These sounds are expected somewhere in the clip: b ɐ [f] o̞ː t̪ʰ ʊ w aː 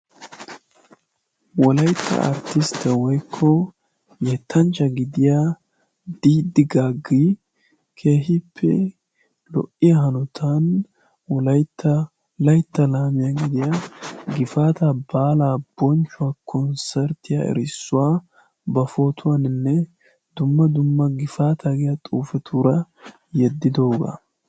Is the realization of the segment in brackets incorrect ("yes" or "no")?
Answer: no